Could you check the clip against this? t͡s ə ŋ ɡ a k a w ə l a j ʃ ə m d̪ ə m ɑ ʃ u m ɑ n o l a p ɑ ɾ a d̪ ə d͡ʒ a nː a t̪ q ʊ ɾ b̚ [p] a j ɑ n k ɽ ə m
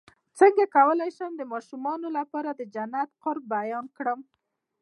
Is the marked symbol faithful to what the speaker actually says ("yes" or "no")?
no